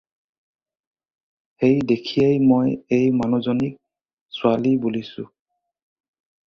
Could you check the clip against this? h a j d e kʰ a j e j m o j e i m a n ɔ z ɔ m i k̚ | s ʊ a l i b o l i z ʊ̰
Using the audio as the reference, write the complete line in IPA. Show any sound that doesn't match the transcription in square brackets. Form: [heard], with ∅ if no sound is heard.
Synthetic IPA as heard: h [e] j d e kʰ [i] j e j m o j e [j] m a n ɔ z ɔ [n] i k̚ | s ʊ a l i b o l i [s] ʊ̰